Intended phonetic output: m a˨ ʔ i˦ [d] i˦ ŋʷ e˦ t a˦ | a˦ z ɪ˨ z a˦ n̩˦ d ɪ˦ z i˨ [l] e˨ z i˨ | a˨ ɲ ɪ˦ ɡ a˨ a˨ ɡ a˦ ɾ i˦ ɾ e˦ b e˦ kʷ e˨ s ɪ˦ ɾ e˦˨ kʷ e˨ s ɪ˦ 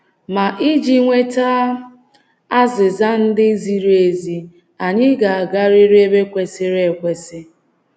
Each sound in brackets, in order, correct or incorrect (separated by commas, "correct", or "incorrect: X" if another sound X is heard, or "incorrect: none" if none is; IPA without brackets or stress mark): incorrect: d͡ʒ, incorrect: ɾ